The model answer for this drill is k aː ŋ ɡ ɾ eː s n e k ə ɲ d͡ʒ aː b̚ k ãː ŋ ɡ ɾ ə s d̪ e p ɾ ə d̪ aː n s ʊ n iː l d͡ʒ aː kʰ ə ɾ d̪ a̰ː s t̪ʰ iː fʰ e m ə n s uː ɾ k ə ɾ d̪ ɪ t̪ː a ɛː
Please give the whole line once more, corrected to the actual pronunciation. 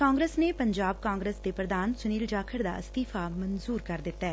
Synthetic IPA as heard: k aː ŋ ɡ ɾ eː s n e p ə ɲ d͡ʒ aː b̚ k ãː ŋ ɡ ɾ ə s d̪ e p ɾ ə d̪ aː n s ʊ n iː l d͡ʒ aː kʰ ə ɾ d̪ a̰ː s t̪ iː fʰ a m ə n z uː ɾ k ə ɾ d̪ ɪ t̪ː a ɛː